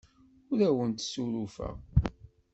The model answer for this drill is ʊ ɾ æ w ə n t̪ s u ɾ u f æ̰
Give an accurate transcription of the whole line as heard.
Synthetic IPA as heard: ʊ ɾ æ w ə n t̪ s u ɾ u f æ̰